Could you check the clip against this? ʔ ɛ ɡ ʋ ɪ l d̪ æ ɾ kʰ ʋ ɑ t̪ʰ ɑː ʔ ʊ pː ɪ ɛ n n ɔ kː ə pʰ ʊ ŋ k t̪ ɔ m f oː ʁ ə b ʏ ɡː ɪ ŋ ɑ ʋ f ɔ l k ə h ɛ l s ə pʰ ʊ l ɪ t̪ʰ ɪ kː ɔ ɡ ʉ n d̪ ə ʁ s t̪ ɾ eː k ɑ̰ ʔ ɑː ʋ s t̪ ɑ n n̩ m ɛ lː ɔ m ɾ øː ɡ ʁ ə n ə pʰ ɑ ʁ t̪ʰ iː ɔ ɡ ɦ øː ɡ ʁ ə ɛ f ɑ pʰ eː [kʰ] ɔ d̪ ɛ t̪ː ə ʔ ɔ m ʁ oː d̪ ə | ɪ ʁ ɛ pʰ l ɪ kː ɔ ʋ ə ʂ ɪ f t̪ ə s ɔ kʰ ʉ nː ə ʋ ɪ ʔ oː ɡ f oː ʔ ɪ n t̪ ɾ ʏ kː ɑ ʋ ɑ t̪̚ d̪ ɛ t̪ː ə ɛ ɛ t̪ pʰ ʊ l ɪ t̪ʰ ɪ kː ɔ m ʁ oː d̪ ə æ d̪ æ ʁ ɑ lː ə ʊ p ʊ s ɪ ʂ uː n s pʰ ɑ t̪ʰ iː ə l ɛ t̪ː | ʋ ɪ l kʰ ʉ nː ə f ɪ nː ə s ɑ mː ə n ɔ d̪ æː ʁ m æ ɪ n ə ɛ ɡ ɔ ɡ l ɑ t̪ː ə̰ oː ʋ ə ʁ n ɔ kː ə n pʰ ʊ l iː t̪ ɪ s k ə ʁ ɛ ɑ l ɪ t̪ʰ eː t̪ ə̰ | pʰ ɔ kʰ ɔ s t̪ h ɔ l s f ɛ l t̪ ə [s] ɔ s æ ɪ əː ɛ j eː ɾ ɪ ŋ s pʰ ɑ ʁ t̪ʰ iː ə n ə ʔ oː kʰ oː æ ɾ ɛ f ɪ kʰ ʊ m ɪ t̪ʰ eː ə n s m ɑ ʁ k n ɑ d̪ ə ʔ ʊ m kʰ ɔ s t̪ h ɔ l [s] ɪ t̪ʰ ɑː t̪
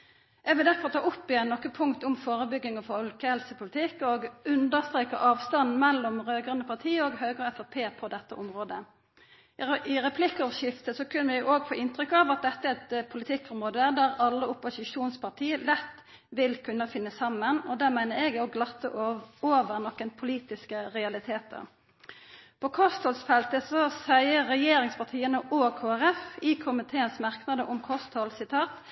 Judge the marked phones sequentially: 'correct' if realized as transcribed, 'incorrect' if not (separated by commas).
incorrect, correct, correct